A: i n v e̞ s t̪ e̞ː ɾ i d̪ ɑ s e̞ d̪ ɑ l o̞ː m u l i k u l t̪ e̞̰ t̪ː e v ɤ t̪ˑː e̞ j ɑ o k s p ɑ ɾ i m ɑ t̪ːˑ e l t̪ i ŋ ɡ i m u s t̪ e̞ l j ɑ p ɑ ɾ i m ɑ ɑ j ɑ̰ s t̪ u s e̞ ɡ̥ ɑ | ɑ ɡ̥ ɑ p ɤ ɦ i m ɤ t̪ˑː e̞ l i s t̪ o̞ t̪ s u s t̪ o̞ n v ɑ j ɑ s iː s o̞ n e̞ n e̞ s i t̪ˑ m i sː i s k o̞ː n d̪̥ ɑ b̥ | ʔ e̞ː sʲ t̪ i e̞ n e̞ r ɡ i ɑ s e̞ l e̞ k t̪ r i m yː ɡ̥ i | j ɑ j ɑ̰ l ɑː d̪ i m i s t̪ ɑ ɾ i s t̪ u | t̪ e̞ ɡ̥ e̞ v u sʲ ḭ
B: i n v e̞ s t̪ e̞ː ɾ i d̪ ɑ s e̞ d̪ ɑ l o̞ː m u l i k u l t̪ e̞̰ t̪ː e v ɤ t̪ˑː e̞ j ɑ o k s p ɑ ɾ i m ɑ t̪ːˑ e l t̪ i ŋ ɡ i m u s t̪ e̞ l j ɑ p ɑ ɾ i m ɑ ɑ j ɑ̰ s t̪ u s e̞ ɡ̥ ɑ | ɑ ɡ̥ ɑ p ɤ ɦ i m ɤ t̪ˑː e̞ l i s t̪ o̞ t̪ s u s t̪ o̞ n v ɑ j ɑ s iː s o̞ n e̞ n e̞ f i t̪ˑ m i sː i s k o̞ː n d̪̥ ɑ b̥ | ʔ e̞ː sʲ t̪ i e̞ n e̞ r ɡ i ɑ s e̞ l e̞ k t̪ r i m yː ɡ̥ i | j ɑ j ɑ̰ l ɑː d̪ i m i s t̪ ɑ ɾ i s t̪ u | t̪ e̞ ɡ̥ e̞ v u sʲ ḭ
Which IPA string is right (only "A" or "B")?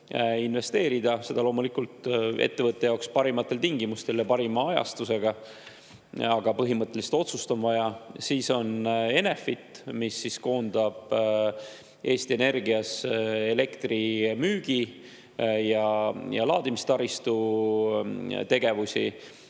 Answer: B